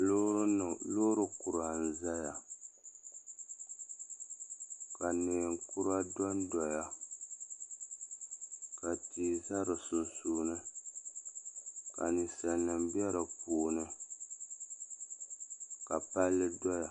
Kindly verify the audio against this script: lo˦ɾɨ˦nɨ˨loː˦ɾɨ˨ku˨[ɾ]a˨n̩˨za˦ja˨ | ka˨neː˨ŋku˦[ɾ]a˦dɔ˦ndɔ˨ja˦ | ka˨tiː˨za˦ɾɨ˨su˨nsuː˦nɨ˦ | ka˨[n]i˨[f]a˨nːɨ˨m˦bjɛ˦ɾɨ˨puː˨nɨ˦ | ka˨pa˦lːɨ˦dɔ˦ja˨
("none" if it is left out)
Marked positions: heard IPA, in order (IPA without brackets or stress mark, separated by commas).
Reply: ɾ, ɾ, n, s